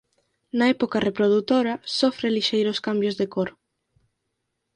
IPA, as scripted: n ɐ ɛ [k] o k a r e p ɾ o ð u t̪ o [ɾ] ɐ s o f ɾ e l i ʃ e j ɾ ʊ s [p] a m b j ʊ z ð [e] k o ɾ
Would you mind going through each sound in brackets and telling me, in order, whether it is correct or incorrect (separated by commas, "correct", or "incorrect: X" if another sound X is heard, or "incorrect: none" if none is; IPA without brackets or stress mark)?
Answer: incorrect: p, correct, incorrect: k, correct